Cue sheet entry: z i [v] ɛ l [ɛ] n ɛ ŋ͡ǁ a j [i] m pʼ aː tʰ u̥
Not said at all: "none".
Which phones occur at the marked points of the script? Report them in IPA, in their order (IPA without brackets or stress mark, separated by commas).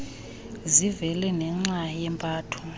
v, ɛ, ɛ